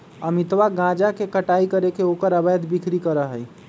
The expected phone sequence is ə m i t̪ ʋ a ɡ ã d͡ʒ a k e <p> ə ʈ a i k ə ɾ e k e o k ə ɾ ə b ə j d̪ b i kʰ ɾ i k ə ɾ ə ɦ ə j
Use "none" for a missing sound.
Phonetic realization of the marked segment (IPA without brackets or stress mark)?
k